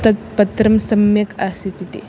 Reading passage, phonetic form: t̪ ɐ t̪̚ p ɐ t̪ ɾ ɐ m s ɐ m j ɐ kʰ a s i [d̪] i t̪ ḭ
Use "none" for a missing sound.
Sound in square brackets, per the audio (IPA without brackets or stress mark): t̪